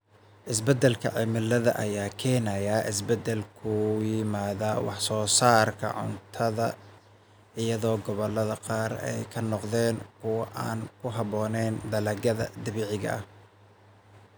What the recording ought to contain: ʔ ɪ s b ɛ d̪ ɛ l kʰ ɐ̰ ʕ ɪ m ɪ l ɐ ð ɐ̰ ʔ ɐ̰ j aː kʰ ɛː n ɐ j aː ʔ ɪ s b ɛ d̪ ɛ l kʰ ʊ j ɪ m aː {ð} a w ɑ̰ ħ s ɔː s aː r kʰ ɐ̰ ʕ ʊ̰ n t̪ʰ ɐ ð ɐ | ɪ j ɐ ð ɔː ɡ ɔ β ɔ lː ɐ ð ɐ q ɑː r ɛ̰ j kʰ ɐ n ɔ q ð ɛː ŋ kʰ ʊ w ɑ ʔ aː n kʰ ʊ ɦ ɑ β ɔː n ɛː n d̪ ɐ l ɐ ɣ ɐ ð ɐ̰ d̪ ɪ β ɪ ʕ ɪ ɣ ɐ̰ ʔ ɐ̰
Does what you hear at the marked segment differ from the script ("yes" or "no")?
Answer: no